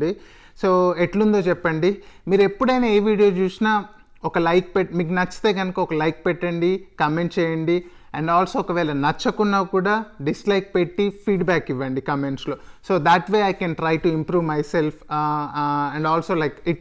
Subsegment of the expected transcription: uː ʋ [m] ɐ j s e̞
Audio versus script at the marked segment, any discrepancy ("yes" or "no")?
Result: no